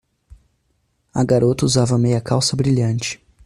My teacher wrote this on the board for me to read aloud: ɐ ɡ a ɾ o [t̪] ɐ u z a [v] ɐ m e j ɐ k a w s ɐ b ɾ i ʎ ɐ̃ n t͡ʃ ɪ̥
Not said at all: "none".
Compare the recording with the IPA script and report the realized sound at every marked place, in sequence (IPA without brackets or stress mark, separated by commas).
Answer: t̪, v